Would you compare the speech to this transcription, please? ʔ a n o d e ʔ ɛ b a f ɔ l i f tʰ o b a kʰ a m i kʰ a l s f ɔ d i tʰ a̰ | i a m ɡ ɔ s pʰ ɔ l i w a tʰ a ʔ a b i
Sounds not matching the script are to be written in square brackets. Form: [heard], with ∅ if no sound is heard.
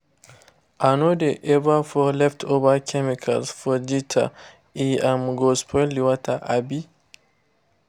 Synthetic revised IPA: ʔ a n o d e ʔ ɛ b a f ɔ l [ɛ] f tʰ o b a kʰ [ɛ] m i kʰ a l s f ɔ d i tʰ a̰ | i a m ɡ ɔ s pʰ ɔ l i w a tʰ a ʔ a b i